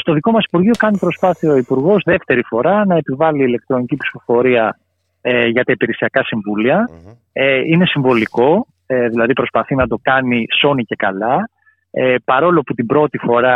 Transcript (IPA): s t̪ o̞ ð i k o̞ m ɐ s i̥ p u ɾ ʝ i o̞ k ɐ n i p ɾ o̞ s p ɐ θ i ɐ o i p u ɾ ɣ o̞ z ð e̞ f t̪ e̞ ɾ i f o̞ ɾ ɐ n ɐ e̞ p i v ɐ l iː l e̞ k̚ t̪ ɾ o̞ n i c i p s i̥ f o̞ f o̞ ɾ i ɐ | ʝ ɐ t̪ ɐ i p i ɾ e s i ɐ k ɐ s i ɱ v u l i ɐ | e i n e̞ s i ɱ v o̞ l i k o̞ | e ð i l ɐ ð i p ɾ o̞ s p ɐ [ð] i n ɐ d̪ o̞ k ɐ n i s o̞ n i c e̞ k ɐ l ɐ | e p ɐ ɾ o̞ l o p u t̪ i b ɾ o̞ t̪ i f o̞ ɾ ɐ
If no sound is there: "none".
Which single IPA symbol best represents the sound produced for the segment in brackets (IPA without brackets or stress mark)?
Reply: θ